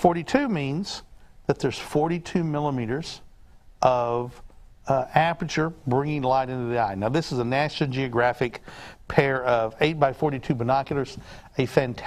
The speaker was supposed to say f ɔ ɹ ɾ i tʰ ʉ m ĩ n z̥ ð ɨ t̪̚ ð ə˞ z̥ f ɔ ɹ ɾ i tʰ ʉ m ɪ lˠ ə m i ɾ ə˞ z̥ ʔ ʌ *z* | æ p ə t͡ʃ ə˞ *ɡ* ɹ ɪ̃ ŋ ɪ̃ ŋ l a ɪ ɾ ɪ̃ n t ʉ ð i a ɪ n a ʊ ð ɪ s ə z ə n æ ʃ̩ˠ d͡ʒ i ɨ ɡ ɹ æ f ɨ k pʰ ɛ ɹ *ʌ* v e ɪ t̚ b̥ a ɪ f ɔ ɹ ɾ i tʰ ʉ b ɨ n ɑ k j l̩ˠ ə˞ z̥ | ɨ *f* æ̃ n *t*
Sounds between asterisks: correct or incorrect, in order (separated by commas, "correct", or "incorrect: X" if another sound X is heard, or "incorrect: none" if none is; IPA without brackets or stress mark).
incorrect: v, incorrect: b, correct, correct, incorrect: tʰ